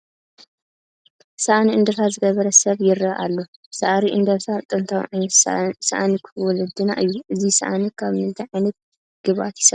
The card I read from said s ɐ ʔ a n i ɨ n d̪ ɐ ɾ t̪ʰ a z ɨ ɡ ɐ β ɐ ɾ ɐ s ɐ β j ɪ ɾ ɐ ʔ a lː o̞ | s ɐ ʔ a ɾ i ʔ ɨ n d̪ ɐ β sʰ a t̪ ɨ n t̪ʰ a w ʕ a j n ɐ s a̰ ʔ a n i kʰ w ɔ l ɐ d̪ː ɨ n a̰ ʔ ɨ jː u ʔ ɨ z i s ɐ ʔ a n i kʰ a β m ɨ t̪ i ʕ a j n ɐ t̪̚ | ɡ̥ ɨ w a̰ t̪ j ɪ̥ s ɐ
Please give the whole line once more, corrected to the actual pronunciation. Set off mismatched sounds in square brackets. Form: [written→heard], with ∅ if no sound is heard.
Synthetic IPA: s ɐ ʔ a n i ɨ n d̪ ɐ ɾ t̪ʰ a z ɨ ɡ ɐ β ɐ ɾ ɐ s ɐ β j ɪ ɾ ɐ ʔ a lː o̞ | s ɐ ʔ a ɾ i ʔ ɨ n d̪ ɐ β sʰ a [t̪→t̪ʼ] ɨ n t̪ʰ a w ʕ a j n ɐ s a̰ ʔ a n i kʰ w ɔ l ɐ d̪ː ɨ n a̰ ʔ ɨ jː u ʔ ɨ z i s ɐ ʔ a n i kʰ a β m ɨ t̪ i ʕ a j n ɐ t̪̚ | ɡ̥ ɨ [w→β] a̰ t̪ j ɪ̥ s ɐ

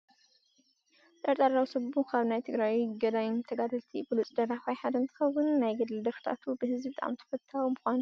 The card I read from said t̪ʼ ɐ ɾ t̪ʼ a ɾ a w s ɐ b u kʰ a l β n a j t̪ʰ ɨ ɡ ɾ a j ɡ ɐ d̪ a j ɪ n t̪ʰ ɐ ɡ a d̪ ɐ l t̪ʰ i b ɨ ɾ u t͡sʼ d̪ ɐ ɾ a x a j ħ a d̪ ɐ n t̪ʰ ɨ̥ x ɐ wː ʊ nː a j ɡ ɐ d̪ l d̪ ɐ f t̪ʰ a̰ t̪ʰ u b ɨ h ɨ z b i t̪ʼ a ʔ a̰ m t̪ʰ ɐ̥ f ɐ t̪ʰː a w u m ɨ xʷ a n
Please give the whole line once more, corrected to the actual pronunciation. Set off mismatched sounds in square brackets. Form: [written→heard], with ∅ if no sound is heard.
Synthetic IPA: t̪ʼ ɐ ɾ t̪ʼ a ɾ a w s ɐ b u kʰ a [l→∅] β n a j t̪ʰ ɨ ɡ ɾ a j ɡ ɐ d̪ a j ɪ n t̪ʰ ɐ ɡ a d̪ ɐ l t̪ʰ i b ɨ [ɾ→l] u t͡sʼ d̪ ɐ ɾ a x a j ħ a d̪ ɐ n t̪ʰ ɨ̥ x ɐ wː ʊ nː a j ɡ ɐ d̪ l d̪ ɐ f t̪ʰ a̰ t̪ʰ u b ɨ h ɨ z b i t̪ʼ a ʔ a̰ m t̪ʰ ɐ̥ f ɐ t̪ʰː a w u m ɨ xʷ a n

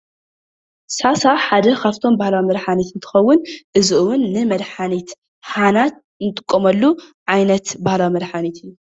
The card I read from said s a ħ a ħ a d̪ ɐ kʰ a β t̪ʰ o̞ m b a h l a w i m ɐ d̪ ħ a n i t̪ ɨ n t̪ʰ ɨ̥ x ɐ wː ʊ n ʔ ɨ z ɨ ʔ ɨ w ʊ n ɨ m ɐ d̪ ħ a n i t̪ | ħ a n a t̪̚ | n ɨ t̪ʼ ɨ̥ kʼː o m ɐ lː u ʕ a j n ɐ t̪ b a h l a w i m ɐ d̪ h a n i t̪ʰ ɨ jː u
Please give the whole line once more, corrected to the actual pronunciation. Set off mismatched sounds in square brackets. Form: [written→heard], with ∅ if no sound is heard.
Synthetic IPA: s a [ħ→s] a ħ a d̪ ɐ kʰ a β t̪ʰ o̞ m b a h l a w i m ɐ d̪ ħ a n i t̪ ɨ n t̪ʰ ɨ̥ x ɐ wː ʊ n ʔ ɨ z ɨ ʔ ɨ w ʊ [n→nː] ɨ m ɐ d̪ ħ a n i t̪ | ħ a n a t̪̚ | n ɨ t̪ʼ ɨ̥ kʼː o m ɐ lː u ʕ a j n ɐ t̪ b a h l a w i m ɐ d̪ [h→ħ] a n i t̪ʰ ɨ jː u

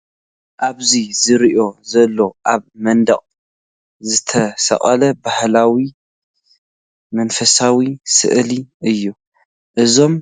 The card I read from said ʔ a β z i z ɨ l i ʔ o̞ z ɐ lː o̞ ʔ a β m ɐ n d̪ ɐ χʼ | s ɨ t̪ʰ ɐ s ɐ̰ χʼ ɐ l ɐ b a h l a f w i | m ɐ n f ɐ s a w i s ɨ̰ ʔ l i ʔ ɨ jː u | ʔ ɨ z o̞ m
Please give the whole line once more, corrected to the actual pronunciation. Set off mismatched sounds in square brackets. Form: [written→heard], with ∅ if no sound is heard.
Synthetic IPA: ʔ a β z i z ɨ [l→ɾ] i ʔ o̞ z ɐ lː o̞ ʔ a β m ɐ n d̪ ɐ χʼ | [s→z] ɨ t̪ʰ ɐ s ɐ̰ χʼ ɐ l ɐ b a h l a [f→∅] w i | m ɐ n f ɐ s a w i s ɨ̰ ʔ l i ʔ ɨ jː u | ʔ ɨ z o̞ m

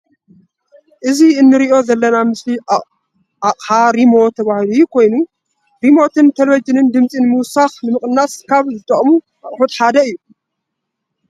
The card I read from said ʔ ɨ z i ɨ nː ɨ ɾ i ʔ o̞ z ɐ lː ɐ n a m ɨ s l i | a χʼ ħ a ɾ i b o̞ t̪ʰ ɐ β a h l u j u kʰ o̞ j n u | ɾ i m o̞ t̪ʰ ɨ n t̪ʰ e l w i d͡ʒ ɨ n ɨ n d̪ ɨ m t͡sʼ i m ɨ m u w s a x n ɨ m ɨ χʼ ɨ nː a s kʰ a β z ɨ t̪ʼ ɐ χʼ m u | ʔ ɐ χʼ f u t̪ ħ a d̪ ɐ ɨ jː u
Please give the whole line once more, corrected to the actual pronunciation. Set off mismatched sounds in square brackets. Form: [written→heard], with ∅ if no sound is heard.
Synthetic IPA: ʔ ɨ z i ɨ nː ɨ ɾ i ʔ o̞ z ɐ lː ɐ n a m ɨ s l i | a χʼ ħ a ɾ i [b→m] o̞ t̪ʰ ɐ β a h l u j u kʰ o̞ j n u | ɾ i m o̞ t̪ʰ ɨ n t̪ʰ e l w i d͡ʒ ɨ n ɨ n d̪ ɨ m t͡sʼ i [m→n] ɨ m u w s a x n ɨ m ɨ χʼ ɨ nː a s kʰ a β z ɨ t̪ʼ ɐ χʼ m u | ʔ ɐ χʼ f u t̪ ħ a d̪ ɐ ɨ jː u

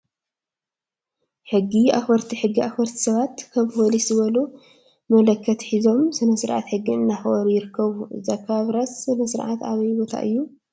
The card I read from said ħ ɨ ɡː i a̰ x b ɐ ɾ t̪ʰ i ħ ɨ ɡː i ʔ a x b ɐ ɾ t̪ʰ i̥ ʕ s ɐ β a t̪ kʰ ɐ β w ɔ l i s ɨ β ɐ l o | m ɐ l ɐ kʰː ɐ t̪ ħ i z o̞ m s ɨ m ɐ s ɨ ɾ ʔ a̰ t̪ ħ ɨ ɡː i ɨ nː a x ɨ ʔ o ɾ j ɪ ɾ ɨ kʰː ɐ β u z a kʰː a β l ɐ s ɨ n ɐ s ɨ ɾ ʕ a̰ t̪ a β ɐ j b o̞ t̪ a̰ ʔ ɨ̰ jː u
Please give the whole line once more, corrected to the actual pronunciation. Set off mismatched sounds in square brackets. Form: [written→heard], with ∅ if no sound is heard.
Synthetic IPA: ħ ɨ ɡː i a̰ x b ɐ ɾ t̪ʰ i ħ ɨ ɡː i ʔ a x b ɐ ɾ t̪ʰ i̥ [ʕ→∅] s ɐ β a t̪ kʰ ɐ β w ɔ l i s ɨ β ɐ l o | m ɐ l ɐ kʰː ɐ t̪ ħ i z o̞ m s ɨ [m→n] ɐ s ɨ ɾ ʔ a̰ t̪ ħ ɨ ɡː i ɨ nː a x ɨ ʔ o ɾ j ɪ ɾ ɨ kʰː ɐ β u z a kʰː a β [l→ɾ] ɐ s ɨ n ɐ s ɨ ɾ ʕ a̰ t̪ a β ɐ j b o̞ [t̪→t̪ʰ] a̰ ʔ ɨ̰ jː u

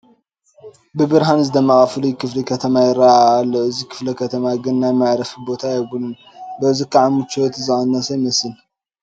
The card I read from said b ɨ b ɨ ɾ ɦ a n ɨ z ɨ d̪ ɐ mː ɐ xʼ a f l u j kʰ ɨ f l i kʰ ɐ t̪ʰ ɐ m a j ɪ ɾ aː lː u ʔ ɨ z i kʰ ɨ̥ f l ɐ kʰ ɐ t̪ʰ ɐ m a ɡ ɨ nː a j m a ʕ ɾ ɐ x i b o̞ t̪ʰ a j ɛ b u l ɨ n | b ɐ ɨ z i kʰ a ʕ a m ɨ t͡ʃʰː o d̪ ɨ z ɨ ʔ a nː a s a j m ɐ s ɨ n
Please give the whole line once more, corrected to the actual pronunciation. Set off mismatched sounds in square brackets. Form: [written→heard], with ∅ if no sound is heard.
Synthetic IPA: b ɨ b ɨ ɾ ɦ a n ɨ z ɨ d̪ ɐ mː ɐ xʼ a f l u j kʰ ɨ f l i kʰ ɐ t̪ʰ ɐ m a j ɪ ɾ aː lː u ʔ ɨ z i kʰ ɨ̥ f l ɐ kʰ ɐ t̪ʰ ɐ m a ɡ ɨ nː a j m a ʕ ɾ ɐ [x→f] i b o̞ t̪ʰ a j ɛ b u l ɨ n | b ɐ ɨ z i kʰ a ʕ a m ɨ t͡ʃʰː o [d̪→t̪] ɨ z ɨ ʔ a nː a s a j m ɐ s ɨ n

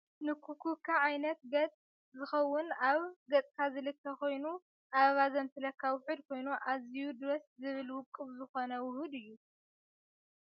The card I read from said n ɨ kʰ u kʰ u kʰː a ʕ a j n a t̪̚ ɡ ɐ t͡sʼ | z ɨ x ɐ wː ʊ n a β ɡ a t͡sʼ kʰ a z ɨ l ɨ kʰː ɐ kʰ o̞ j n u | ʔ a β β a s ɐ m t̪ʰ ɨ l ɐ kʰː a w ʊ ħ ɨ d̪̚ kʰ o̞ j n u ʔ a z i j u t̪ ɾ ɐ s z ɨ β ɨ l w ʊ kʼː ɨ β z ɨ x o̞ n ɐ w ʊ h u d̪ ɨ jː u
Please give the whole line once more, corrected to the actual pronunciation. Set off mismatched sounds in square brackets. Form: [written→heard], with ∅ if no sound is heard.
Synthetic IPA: n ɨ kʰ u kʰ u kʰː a ʕ a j n [a→ɐ] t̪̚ ɡ ɐ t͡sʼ | z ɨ x ɐ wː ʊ n a β ɡ [a→ɐ] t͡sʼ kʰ a z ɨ l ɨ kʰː ɐ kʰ o̞ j n u | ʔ a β β a [s→z] ɐ m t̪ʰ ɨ l ɐ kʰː a w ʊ ħ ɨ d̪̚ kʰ o̞ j n u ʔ a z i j u [t̪→d̪] ɾ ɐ s z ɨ β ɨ l w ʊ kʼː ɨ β z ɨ x o̞ n ɐ w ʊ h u d̪ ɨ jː u

